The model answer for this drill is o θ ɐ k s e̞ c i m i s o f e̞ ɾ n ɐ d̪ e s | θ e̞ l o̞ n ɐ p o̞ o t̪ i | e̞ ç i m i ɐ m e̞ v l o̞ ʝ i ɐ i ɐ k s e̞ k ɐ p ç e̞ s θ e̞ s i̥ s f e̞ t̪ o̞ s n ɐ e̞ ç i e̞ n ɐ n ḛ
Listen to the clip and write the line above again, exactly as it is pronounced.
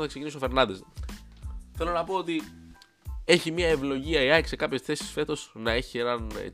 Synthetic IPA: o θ ɐ k s e̞ c i n i s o f e̞ ɾ n ɐ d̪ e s | θ e̞ l o̞ n ɐ p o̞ o t̪ i | e̞ ç i m i ɐ e̞ v l o̞ ʝ i ɐ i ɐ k s e̞ k ɐ p ç e̞ s θ e̞ s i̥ s f e̞ t̪ o̞ s n ɐ e̞ ç i e̞ n ɐ n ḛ